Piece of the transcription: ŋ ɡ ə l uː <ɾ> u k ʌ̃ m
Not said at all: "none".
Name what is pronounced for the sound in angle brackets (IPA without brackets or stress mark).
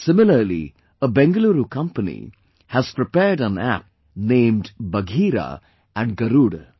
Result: ɾ